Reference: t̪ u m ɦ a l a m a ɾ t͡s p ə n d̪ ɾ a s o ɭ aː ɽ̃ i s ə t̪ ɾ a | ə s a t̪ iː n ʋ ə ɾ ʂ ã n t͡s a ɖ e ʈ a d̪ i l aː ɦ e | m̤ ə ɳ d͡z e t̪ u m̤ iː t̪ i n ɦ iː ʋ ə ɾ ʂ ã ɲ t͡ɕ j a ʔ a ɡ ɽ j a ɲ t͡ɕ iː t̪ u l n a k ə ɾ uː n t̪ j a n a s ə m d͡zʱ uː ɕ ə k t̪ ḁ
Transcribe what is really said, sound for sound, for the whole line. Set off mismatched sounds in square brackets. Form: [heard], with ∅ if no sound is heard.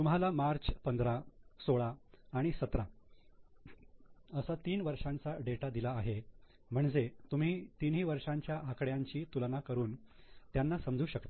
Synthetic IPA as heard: t̪ u m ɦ a l a m a ɾ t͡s p ə n d̪ ɾ a s o ɭ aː ɽ̃ i s ə t̪ ɾ a | ə s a t̪ iː n ʋ ə ɾ ʂ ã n t͡s a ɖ e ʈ a d̪ i l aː ɦ e | m̤ ə ɳ d͡z e t̪ u m̤ iː t̪ i n ɦ iː ʋ ə ɾ ʂ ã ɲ t͡ɕ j a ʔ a [k] ɽ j a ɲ t͡ɕ iː t̪ u l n a k ə ɾ uː n t̪ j a [nː] a s ə m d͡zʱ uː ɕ ə k t̪ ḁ